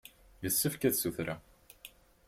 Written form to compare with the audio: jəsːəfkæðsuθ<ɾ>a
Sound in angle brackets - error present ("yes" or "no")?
no